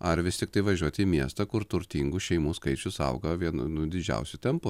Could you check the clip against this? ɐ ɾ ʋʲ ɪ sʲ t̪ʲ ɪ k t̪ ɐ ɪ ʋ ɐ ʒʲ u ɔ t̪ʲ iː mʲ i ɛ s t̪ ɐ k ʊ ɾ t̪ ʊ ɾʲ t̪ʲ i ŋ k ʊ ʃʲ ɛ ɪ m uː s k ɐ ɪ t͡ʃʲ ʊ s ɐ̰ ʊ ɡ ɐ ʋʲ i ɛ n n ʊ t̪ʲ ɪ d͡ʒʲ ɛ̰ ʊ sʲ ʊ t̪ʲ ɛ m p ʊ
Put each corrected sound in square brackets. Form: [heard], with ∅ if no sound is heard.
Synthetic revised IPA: ɐ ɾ ʋʲ ɪ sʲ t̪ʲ ɪ k t̪ ɐ ɪ ʋ ɐ ʒʲ u ɔ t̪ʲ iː mʲ i ɛ s t̪ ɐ k ʊ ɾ t̪ ʊ ɾʲ t̪ʲ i ŋ [ɡ] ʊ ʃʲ ɛ ɪ m uː s k ɐ ɪ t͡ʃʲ ʊ s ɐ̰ ʊ ɡ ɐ ʋʲ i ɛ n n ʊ [d̪ʲ] ɪ d͡ʒʲ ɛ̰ ʊ sʲ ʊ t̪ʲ ɛ m p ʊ